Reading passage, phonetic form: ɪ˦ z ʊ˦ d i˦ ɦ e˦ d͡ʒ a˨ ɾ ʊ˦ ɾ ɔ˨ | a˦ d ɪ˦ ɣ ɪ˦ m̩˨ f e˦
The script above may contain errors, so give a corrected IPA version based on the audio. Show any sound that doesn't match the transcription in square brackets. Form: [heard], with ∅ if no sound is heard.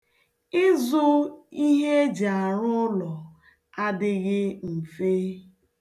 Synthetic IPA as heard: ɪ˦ z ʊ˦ [∅] i˦ ɦ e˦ d͡ʒ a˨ ɾ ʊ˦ [l] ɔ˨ | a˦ d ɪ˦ ɣ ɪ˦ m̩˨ f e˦

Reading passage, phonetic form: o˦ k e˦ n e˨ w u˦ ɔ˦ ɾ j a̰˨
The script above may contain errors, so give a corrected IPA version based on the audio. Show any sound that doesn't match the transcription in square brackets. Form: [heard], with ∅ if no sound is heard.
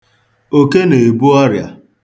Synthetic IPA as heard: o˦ k e˦ n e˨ [b] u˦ ɔ˦ ɾ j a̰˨

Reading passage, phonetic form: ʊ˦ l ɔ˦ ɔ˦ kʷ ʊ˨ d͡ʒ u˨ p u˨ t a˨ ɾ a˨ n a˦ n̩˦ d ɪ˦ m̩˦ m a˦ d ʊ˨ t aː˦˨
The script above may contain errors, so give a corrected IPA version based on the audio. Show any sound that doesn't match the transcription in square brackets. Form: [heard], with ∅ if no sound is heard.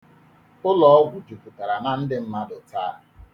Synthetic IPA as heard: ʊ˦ l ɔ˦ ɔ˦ [ɡʷ] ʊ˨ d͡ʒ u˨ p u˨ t a˨ ɾ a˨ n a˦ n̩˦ d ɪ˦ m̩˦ m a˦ d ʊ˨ t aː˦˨

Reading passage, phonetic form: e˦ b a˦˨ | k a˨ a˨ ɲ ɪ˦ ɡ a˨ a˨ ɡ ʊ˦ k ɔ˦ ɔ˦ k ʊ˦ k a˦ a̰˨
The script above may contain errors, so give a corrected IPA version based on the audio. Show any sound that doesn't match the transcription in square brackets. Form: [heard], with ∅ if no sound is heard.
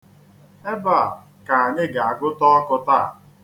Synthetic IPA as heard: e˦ b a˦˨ | k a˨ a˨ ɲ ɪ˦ ɡ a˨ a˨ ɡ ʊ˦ [t] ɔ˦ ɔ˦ k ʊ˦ [t] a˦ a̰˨

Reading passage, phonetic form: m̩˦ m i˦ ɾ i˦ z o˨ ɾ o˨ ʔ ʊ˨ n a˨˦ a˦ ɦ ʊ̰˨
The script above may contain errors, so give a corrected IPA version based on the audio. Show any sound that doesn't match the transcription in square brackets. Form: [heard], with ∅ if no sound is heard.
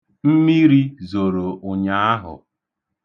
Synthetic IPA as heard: m̩˦ m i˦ ɾ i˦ z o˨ ɾ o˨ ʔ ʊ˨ [ɲ] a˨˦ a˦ ɦ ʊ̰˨

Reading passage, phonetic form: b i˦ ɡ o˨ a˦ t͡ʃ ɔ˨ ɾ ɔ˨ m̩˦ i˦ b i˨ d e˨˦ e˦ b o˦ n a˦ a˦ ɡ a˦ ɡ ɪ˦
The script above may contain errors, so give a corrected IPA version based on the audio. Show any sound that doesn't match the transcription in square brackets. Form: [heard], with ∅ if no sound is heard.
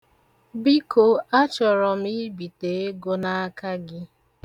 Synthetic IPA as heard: b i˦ [k] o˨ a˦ t͡ʃ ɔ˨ ɾ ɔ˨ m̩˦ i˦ b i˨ [t] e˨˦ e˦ [ɡ] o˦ n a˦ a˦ [k] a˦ ɡ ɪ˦

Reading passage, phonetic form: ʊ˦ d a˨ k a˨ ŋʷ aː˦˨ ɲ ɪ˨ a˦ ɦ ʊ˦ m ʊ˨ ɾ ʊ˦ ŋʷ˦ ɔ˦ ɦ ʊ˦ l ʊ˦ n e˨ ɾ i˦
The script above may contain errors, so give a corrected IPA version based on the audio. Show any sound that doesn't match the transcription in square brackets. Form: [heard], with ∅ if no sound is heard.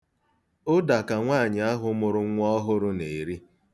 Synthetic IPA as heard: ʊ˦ d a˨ k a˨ ŋʷ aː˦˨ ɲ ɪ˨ a˦ ɦ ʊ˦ m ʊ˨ ɾ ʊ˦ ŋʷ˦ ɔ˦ ɦ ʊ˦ [ɾ] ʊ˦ n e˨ ɾ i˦

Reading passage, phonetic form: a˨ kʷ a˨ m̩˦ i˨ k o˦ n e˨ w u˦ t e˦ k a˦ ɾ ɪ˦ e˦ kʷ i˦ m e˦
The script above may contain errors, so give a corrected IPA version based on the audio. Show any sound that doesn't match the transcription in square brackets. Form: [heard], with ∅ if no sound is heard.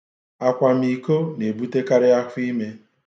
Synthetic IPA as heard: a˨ kʷ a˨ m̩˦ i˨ k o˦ n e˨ [b] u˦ t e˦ k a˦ ɾ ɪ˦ [a˦] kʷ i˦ m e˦

